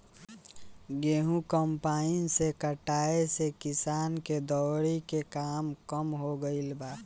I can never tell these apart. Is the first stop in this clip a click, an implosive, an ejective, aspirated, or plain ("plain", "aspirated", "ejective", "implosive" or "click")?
plain